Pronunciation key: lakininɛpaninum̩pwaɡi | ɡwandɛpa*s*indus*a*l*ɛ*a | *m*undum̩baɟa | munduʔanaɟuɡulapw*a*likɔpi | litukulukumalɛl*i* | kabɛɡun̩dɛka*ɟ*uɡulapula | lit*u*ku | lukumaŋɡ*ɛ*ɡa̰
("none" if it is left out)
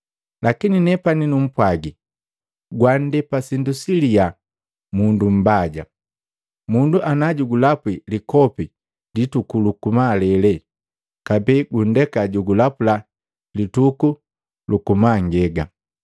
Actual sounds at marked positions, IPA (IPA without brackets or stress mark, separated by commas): s, i, i, m, i, ɛ, ɟ, u, ɛ